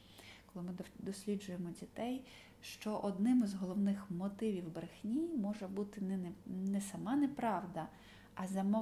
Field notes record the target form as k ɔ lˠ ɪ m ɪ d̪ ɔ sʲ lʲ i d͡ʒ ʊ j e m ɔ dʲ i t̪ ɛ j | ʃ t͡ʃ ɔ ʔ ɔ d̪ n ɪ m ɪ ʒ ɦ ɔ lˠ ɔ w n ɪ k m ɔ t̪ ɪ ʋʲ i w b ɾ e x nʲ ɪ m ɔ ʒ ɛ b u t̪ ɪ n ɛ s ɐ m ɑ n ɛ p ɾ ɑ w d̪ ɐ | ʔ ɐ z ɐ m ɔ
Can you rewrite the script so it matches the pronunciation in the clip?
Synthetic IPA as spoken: k ɔ lˠ ɪ m ɪ d̪ ɔ sʲ lʲ i d͡ʒ ʊ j e m ɔ dʲ i t̪ ɛ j | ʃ t͡ʃ ɔ ʔ ɔ d̪ n ɪ m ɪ z ɦ ɔ lˠ ɔ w n ɪ x m ɔ t̪ ɪ ʋʲ i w b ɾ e x nʲ i m ɔ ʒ ɛ b u t̪ ɪ n ɛ s ɐ m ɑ n ɛ p ɾ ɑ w d̪ ɐ | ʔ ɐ z ɐ m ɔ